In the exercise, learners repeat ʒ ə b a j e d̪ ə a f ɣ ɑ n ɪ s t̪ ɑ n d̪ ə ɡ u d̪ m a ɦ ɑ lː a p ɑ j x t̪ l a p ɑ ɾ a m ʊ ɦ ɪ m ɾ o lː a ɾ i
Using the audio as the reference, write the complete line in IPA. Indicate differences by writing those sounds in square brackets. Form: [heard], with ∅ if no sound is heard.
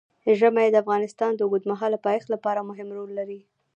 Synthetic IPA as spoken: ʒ ə [m] a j e d̪ ə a f ɣ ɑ n ɪ s t̪ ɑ n d̪ ə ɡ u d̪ m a ɦ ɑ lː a p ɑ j x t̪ l a p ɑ ɾ a m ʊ ɦ ɪ m ɾ o lː a ɾ i